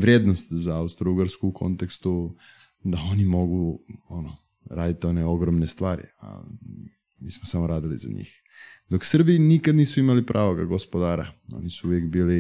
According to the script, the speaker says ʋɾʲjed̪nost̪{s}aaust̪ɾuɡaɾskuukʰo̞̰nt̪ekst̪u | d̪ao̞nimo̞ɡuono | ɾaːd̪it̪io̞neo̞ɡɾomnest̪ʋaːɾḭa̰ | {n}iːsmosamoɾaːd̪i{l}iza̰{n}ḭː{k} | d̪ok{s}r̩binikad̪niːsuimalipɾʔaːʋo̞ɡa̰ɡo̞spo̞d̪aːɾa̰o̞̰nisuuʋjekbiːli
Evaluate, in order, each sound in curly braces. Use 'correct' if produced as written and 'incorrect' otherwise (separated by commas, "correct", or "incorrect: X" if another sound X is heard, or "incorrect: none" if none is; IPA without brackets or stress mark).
incorrect: z, incorrect: m, correct, incorrect: ɲ, incorrect: x, correct